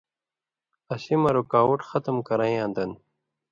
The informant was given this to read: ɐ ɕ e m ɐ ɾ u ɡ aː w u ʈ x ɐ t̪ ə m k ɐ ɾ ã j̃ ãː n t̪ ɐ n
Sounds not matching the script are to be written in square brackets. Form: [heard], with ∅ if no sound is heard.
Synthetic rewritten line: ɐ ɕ [i] m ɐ ɾ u [k] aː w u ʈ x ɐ t̪ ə m k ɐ ɾ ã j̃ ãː n [d̪] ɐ n